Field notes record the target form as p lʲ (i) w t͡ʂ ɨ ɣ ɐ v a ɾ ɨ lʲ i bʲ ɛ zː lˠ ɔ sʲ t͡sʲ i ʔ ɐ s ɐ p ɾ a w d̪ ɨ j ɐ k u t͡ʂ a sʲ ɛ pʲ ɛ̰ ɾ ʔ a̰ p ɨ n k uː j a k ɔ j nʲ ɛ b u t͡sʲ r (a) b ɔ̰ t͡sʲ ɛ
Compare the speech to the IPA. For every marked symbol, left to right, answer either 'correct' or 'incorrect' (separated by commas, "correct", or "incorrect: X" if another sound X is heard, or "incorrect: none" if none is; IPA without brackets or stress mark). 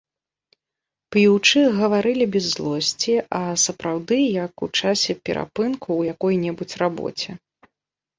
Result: correct, correct